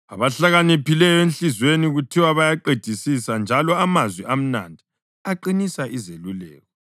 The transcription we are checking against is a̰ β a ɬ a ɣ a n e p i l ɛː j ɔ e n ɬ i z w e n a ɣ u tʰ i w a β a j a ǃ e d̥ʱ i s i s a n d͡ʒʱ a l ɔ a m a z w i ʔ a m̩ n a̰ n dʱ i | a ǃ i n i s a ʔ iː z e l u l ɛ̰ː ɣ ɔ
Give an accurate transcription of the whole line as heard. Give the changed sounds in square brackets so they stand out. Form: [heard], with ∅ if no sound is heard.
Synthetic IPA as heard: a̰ β a ɬ a ɣ a n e p i l [ɛ] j ɔ e n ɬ i z w e n [i] ɣ u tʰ i w a β a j a ǃ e d̥ʱ i s i s a n d͡ʒʱ a l ɔ a m a z w i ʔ a m̩ n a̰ n dʱ i | a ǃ i n i s a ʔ [i] z e l u l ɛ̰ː ɣ ɔ